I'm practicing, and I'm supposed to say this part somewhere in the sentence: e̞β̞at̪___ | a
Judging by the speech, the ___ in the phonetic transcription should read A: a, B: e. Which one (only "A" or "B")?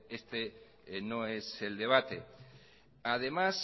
B